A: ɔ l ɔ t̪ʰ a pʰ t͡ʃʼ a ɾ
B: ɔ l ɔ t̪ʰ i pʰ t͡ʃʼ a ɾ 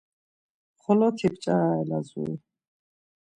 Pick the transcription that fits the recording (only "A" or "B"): B